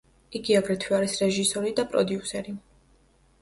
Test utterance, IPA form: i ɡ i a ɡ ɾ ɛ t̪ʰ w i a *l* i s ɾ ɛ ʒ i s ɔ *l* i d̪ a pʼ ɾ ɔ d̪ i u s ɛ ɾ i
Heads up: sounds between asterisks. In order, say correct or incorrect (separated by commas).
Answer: incorrect, incorrect